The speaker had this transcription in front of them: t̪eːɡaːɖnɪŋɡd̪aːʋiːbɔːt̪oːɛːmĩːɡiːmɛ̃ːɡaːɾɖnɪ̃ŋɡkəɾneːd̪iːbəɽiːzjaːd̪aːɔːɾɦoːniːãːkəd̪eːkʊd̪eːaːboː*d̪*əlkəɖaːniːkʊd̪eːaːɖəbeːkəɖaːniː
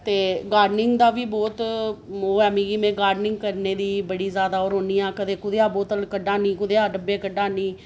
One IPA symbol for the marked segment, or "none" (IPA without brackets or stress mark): t̪